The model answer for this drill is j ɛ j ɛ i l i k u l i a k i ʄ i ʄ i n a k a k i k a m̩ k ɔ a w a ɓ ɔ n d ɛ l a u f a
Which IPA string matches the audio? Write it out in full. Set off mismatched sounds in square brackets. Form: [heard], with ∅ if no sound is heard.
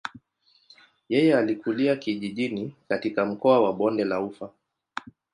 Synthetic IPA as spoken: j ɛ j ɛ [a] l i k u l i a k i ʄ i ʄ i n [i] k a [t] i k a m̩ k ɔ a w a ɓ ɔ n d ɛ l a u f a

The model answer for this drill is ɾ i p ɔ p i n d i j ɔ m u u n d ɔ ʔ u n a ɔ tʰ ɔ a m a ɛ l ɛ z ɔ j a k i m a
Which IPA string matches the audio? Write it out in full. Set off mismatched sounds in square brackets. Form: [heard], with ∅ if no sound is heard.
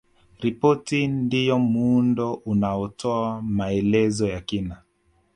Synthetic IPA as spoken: ɾ i p ɔ [t] i n d i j ɔ m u u n d ɔ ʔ u n a ɔ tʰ ɔ a m a ɛ l ɛ z ɔ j a k i [n] a

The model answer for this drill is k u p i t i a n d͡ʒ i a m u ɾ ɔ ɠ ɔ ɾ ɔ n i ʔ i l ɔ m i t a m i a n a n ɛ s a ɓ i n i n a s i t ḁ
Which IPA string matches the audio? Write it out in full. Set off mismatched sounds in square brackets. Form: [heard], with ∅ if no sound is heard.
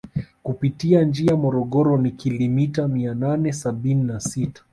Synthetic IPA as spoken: k u p i t i a n d͡ʒ i a m [ɔ] ɾ ɔ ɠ ɔ ɾ ɔ n i [k] i l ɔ m i t a m i a n a n ɛ s a ɓ i n i n a s i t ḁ

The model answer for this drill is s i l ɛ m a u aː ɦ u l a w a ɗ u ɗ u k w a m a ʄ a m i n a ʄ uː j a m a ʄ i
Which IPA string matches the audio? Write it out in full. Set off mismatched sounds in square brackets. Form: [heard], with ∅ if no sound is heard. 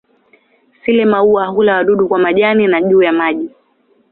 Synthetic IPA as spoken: s i l ɛ m a u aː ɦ u l a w a ɗ u ɗ u k w a m a ʄ a [n] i n a ʄ uː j a m a ʄ i

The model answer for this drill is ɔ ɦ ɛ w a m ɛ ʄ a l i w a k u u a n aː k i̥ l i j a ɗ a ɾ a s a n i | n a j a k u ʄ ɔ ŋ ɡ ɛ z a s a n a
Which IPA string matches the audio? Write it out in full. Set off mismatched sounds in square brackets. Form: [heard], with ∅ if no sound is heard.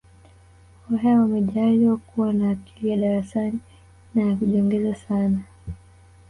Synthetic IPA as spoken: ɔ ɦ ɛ w a m ɛ ʄ a l i w a k u [w] a n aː k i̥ l i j a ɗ a ɾ a s a n i | n a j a k u ʄ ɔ ŋ ɡ ɛ z a s a n a

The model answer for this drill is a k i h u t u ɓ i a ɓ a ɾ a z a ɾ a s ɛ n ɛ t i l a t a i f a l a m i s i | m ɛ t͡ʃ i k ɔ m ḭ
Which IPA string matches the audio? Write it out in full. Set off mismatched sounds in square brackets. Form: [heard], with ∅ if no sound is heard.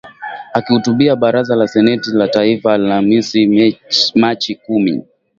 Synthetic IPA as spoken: a k i h u t u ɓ i a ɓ a ɾ a z a [l] a s ɛ n ɛ t i l a t a i f a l a m i s i | m [a] t͡ʃ i k [u] m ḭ

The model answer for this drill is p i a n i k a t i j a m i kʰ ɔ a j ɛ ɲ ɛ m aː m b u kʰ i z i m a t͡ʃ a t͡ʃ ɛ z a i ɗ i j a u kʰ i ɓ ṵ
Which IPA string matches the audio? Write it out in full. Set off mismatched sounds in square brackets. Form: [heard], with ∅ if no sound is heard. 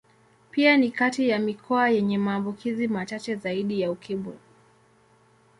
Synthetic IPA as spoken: p i a n i k a t i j a m i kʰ ɔ a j ɛ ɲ ɛ m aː m b u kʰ i z i m a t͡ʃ a t͡ʃ ɛ z a i ɗ i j a u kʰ i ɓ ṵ

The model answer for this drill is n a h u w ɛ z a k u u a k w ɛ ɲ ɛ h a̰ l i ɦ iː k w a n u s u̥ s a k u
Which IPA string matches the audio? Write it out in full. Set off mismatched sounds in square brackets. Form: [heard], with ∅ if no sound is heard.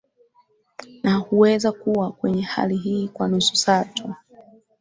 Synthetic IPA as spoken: n a h u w ɛ z a k u [w] a k w ɛ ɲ ɛ h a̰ l i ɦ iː k w a n u s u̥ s a [t] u

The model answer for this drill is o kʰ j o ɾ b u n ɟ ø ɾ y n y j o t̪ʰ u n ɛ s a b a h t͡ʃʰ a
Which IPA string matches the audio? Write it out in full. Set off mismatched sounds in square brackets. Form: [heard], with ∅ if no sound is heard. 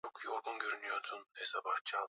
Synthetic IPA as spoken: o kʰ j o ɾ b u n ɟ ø ɾ y n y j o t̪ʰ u n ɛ s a b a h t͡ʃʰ a

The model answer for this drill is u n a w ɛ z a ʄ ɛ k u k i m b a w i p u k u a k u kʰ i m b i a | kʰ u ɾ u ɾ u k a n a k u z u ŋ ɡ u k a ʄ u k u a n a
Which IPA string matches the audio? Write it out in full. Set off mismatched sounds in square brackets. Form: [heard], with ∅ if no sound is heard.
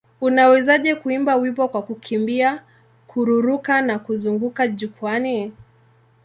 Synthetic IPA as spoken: u n a w ɛ z a ʄ ɛ k u [∅] i m b a w i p [ɔ] k [w] a k u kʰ i m b i a | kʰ u ɾ u ɾ u k a n a k u z u ŋ ɡ u k a ʄ u k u a n [i]

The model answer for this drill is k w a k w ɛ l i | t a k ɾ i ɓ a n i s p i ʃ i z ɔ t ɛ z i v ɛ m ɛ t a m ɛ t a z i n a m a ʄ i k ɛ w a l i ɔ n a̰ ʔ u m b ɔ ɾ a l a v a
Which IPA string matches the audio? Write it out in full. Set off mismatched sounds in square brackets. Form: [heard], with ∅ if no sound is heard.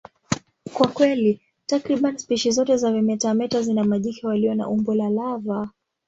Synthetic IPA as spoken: k w a k w ɛ l i | t a k ɾ i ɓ a n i s p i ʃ i z ɔ t ɛ z [a] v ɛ m ɛ t a m ɛ t a z i n a m a ʄ i k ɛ w a l i ɔ n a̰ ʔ u m b ɔ [l] a l a v a

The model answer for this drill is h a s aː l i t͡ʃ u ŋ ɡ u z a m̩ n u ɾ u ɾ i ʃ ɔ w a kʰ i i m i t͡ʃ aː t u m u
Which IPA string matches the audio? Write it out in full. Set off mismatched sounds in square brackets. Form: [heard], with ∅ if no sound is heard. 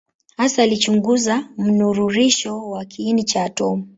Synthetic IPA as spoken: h a s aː l i t͡ʃ u ŋ ɡ u z a m̩ n u ɾ u ɾ i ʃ ɔ w a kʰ i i [n] i t͡ʃ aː t [ɔ] m u

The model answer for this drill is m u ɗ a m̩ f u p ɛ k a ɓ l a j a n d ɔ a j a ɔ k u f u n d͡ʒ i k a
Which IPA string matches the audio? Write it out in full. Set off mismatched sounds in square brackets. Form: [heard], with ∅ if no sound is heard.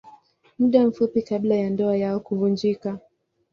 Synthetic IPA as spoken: m u ɗ a m̩ f u p [i] k a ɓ l a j a n d ɔ a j a ɔ k u [v] u n d͡ʒ i k a

